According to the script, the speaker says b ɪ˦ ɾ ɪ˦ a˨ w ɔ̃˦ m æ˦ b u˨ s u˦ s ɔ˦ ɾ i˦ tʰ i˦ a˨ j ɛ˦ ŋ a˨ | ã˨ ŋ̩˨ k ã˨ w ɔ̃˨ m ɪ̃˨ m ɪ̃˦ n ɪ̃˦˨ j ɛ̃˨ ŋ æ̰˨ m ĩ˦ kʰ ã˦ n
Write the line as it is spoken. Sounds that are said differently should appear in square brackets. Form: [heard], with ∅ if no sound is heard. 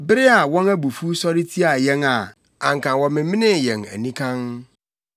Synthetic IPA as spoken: b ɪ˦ ɾ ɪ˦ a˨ w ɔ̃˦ [n] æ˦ b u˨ [f] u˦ s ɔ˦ ɾ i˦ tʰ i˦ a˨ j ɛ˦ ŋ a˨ | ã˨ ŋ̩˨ k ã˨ w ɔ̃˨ m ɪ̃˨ m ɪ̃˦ n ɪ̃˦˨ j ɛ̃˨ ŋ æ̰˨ [n] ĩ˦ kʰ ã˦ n